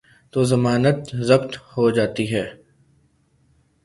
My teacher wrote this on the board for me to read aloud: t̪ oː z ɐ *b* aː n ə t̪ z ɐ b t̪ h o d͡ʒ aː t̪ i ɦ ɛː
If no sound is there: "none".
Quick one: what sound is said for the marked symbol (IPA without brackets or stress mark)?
m